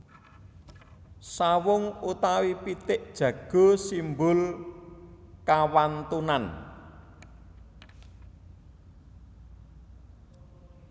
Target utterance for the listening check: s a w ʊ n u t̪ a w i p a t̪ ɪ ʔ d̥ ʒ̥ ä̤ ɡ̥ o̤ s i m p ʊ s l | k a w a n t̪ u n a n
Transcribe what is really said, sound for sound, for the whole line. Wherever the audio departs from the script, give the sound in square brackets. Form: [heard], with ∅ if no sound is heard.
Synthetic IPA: s a w ʊ [ŋ] u t̪ a w i p [i] t̪ ɪ ʔ d̥ ʒ̥ ä̤ ɡ̥ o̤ s i m [b] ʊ [∅] l | k a w a n t̪ u n a n